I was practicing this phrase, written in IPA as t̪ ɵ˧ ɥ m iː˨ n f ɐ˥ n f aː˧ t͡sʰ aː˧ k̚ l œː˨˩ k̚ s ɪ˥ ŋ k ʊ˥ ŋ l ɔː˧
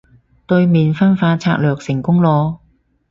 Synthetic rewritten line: t̪ ɵ˧ ɥ m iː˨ n f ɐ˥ n f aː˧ t͡sʰ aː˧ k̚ l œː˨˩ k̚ s ɪ˨˩ ŋ k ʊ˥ ŋ l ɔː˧